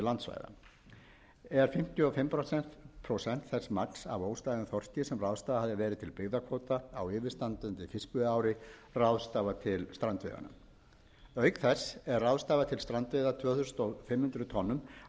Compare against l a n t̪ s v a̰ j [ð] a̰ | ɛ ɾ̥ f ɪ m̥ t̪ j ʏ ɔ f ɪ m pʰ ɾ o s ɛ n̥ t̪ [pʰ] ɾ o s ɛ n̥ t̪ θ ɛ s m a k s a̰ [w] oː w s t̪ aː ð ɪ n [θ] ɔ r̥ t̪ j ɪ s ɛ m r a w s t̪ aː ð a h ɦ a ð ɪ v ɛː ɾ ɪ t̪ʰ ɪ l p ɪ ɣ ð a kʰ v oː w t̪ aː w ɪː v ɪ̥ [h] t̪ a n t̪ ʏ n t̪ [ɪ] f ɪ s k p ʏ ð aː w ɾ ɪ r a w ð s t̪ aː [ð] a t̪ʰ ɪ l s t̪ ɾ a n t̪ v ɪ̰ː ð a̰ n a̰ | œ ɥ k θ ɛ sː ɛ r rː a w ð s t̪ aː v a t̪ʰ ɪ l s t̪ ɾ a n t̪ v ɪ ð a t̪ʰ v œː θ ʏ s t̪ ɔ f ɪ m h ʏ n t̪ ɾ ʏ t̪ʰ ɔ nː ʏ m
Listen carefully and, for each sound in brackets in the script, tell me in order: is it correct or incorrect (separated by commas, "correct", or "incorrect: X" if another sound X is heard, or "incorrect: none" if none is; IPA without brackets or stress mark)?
correct, correct, incorrect: v, correct, incorrect: s, correct, incorrect: v